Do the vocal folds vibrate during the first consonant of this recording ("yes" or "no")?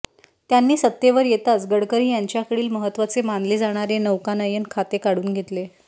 no